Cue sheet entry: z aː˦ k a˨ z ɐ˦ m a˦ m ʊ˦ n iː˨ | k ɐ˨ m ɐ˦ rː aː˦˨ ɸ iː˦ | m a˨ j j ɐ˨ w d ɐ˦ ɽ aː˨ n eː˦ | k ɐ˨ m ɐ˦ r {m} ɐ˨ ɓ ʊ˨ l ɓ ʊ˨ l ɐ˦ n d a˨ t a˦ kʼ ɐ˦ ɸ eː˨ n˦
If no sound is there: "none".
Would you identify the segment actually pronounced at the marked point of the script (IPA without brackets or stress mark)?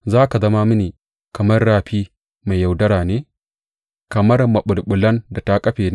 m